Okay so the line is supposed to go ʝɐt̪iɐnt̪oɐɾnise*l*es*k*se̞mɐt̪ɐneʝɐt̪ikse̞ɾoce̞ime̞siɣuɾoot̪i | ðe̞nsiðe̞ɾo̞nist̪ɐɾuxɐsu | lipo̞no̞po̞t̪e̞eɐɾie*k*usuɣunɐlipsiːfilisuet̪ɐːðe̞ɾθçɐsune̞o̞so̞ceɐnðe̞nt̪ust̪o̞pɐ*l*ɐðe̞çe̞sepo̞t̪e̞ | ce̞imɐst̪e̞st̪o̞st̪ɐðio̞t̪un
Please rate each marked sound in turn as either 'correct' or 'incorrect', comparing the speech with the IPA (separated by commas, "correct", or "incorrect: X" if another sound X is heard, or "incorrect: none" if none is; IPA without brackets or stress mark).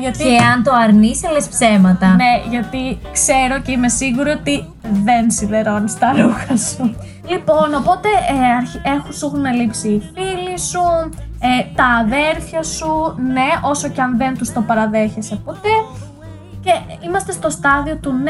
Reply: correct, incorrect: p, incorrect: x, incorrect: ɾ